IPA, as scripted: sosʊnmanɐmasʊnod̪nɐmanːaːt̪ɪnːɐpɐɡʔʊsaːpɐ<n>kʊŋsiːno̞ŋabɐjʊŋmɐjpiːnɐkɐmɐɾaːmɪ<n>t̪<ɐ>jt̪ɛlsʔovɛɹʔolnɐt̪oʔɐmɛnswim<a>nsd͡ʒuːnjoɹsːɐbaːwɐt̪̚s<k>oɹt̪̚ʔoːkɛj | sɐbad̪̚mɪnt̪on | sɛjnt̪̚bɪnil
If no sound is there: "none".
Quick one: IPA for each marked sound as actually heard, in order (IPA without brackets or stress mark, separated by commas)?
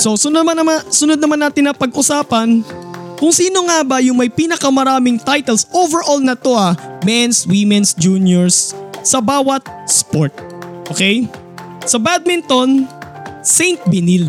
n, ŋ, a, ɛ, p